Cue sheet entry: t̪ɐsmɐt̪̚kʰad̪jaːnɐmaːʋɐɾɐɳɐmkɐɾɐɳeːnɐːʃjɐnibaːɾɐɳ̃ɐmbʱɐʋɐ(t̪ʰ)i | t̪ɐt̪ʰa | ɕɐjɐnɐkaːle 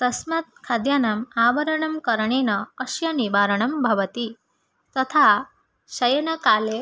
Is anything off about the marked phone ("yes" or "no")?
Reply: yes